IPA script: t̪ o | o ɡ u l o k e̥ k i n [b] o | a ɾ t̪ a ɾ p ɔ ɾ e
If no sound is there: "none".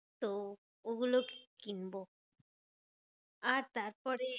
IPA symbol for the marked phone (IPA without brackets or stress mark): b